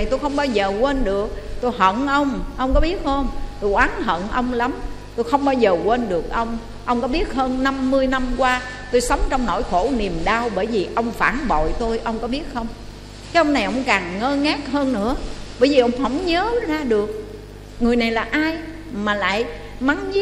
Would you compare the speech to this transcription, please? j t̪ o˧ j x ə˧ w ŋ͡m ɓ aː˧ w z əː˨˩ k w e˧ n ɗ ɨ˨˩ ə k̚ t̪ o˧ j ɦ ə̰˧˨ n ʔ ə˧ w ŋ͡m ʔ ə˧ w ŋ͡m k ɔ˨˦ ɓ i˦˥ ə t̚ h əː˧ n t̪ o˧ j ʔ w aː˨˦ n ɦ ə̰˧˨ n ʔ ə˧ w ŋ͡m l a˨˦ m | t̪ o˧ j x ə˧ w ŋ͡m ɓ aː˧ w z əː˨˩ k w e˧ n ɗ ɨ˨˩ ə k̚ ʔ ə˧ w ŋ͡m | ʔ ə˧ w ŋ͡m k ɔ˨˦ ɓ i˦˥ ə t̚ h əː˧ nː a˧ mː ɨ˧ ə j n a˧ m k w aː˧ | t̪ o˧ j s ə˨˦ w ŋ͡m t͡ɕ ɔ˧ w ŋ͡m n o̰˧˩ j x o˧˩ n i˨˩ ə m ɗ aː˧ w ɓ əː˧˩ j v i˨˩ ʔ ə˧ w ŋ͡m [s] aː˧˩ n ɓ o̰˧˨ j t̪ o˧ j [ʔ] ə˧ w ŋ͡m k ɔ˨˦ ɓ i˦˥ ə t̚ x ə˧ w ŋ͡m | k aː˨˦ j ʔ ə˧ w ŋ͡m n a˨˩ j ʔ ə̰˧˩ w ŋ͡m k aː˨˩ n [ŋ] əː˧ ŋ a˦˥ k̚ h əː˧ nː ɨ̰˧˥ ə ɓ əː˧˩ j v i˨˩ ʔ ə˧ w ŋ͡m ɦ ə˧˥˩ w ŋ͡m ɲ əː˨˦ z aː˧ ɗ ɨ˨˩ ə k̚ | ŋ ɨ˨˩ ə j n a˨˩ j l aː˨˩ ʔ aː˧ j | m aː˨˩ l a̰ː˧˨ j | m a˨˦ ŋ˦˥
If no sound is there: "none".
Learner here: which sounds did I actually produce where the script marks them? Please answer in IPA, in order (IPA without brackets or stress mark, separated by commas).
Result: f, ʔ, ŋ